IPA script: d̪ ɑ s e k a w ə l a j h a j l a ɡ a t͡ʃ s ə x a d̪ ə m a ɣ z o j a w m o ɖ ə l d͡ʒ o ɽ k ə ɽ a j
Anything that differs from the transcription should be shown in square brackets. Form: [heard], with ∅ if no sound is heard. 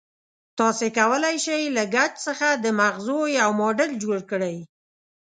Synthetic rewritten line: [t̪] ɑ s e k a w ə l a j [ʃ] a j l a ɡ a t͡ʃ s ə x a d̪ ə m a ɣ z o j a w m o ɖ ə l d͡ʒ o ɽ k ə ɽ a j